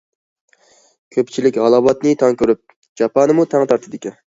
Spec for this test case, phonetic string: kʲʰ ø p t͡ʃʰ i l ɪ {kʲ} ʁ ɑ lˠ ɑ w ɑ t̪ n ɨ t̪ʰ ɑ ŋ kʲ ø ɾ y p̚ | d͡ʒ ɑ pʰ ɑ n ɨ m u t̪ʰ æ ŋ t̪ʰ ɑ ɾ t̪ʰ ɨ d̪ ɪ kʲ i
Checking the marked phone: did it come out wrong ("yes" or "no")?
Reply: no